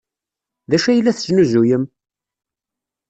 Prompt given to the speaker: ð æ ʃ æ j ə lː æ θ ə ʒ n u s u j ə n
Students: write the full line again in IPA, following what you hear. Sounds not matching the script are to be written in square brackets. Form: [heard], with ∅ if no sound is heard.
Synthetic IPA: ð æ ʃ æ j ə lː æ θ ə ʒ n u [z] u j ə [m]